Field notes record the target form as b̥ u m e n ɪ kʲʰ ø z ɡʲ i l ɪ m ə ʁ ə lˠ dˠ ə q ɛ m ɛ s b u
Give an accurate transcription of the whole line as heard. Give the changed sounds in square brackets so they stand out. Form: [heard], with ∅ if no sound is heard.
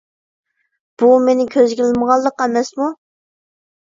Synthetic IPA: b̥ u m e n ɪ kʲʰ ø z ɡʲ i l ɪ m ə ʁ [ɑ] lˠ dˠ ə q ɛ m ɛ s [m] u